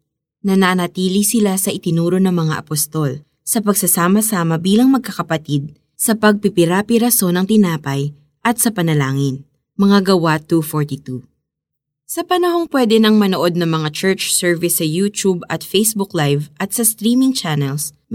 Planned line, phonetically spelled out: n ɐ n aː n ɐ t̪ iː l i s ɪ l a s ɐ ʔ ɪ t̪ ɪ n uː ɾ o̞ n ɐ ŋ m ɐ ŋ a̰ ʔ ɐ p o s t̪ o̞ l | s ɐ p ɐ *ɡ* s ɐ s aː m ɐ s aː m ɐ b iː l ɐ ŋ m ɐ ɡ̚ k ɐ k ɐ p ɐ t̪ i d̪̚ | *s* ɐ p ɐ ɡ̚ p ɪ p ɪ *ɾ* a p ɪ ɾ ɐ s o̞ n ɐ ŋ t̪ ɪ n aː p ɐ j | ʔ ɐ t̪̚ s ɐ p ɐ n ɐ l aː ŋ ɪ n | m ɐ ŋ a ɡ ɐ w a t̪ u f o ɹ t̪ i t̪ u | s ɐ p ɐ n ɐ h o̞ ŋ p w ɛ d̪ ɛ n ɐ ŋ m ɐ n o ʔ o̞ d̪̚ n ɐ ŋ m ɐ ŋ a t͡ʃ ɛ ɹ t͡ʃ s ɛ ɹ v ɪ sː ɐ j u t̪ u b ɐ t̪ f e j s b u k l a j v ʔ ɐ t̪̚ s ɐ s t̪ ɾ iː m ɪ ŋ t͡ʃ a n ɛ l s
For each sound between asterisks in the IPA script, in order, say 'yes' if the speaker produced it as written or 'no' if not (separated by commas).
yes, yes, yes